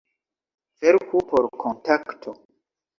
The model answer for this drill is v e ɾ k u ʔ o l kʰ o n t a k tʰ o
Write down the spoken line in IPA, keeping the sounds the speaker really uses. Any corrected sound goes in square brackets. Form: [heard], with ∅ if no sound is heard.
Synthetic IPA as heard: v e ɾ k u [p] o [ɾ] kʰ o n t a k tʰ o